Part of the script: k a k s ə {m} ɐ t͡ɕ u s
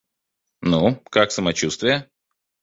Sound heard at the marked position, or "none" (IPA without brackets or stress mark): m